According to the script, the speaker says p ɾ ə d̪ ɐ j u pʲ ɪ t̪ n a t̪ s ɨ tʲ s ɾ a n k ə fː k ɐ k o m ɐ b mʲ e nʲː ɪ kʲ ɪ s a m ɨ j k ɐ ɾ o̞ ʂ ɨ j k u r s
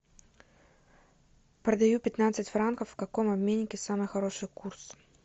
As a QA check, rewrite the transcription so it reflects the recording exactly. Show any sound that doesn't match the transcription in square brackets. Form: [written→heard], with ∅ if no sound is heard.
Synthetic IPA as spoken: p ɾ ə d̪ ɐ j u pʲ ɪ t̪ n a t̪ s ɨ tʲ [s→f] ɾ a n k ə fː k ɐ k o m ɐ b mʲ e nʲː ɪ kʲ ɪ s a m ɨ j [k→x] ɐ ɾ o̞ ʂ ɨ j k u r s